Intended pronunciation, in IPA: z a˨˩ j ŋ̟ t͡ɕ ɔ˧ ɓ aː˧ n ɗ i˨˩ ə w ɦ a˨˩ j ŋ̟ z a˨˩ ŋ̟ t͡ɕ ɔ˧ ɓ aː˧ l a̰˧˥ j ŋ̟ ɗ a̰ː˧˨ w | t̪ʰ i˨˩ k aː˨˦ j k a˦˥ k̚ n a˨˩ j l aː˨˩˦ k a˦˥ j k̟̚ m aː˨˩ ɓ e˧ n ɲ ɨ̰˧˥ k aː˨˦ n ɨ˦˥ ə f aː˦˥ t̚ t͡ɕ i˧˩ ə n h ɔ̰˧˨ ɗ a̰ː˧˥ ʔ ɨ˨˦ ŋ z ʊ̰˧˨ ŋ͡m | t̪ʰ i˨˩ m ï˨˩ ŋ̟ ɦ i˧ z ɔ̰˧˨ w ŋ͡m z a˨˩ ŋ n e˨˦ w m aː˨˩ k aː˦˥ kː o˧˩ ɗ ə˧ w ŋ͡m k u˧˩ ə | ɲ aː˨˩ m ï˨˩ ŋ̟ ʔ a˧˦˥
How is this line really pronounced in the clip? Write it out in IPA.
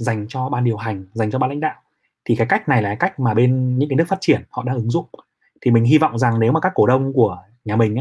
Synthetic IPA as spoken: z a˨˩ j ŋ̟ t͡ɕ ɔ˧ ɓ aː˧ n ɗ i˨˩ ə w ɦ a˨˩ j ŋ̟ z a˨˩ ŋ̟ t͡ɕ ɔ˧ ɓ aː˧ l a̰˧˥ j ŋ̟ ɗ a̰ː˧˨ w | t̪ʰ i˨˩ k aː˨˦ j k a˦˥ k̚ n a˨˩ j l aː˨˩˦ k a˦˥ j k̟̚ m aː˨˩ ɓ e˧ n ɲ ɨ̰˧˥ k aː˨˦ n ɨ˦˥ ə f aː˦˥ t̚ t͡ɕ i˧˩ ə n h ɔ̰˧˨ ɗ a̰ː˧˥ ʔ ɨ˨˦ ŋ z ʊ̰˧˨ ŋ͡m | t̪ʰ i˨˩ m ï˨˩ ŋ̟ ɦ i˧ v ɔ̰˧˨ w ŋ͡m z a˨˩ ŋ n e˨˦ w m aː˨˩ k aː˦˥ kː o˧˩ ɗ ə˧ w ŋ͡m k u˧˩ ə | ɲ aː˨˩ m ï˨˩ ŋ̟ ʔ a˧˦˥